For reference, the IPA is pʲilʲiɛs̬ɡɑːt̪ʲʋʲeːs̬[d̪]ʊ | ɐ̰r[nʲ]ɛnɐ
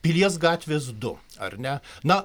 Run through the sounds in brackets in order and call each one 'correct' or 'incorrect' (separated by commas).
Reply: correct, correct